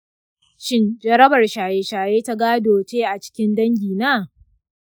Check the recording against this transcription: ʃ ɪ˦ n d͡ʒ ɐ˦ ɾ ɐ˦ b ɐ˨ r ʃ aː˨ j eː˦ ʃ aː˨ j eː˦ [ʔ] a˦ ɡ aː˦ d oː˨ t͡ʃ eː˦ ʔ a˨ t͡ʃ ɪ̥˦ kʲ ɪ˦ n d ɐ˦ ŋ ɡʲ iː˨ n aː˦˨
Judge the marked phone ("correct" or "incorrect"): incorrect